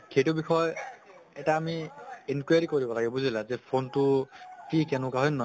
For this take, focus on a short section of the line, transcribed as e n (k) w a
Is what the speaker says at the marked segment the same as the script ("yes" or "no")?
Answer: yes